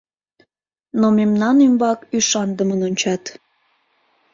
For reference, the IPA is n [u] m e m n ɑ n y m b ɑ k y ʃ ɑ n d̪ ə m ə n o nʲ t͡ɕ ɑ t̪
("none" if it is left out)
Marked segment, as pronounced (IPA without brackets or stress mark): o